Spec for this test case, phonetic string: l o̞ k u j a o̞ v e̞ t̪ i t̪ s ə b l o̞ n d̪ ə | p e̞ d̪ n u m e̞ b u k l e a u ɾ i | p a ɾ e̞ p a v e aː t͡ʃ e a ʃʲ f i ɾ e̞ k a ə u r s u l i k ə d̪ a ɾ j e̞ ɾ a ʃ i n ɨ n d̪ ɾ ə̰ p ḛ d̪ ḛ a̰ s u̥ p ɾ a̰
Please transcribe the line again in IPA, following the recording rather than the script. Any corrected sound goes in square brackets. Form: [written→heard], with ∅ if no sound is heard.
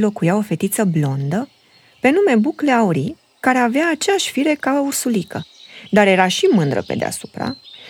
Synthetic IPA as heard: l o̞ k u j a o̞ [v→f] e̞ t̪ i t̪ s ə b l o̞ n d̪ ə | p e̞ [d̪→∅] n u m e̞ b u k l e a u ɾ i | [p→k] a ɾ e̞ [p→∅] a v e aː t͡ʃ e a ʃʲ f i ɾ e̞ k a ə u r s u l i k ə d̪ a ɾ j e̞ ɾ a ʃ i [n→m] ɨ n d̪ ɾ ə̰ p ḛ d̪ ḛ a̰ s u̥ p ɾ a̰